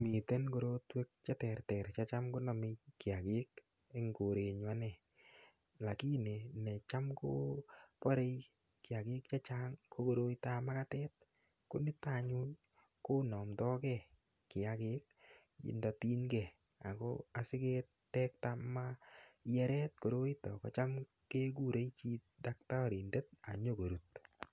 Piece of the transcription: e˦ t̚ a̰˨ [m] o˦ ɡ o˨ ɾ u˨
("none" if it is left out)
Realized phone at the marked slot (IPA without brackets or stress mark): ɲ